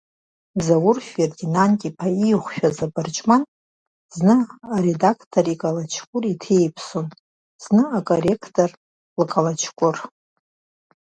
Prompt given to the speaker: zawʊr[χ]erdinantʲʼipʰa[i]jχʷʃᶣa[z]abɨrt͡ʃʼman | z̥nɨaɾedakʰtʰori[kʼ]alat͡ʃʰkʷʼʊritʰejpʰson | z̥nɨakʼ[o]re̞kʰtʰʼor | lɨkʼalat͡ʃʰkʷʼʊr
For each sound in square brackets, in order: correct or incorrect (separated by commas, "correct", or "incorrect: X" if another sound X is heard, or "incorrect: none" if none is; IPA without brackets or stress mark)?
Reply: incorrect: f, correct, correct, correct, correct